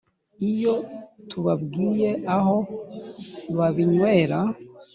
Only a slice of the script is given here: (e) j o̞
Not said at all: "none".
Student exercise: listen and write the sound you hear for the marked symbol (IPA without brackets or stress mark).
i